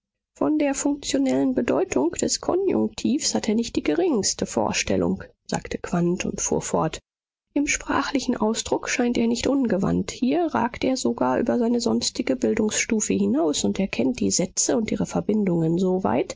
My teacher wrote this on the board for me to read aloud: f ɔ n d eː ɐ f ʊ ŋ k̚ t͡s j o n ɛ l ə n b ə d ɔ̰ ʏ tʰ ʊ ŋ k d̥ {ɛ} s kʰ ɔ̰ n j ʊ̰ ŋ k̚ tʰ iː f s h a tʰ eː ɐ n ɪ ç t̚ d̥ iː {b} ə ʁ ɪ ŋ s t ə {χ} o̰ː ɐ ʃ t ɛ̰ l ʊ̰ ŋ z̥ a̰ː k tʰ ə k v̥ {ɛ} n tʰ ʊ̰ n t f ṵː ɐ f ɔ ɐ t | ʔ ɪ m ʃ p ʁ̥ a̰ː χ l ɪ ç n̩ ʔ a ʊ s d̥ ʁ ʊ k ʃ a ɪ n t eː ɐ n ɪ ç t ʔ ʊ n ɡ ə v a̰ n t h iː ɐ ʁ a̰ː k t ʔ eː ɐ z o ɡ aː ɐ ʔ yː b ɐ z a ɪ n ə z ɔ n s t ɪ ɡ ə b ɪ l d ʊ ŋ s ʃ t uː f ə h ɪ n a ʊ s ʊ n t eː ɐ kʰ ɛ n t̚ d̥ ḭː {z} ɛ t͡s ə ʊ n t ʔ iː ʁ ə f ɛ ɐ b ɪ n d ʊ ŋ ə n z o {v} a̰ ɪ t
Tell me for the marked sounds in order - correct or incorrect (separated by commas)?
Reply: correct, incorrect, incorrect, incorrect, correct, correct